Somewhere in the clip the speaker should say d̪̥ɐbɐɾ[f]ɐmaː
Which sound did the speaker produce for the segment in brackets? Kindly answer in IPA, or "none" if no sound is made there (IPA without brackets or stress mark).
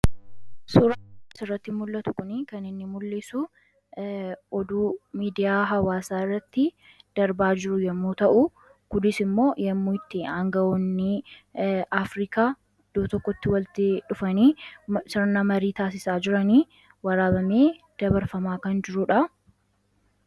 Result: f